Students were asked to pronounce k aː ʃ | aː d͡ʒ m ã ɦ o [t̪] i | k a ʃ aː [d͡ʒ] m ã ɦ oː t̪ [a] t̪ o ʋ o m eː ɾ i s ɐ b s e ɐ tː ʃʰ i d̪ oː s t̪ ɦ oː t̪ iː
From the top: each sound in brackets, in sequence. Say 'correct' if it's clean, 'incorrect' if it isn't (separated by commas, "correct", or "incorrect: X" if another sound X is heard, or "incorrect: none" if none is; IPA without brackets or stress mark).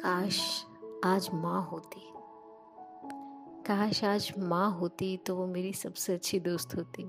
correct, correct, incorrect: i